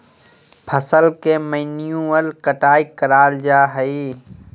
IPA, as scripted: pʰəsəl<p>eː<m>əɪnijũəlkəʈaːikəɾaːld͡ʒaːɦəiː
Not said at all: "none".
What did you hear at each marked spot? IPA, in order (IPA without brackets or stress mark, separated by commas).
k, m